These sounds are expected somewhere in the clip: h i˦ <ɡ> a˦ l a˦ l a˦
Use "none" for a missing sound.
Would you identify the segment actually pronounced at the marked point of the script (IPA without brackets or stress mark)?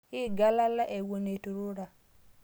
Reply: ɡ